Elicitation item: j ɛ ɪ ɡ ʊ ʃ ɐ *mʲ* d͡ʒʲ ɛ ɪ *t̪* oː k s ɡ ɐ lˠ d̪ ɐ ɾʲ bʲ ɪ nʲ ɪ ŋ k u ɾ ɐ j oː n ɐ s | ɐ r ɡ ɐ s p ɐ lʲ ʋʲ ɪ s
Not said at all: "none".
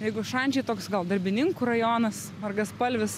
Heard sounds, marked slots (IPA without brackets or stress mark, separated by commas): nʲ, t̪